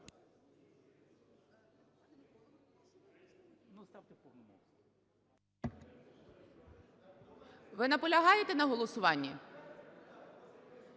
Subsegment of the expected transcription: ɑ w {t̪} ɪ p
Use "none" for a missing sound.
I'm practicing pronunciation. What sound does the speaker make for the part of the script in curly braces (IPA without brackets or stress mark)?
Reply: t̪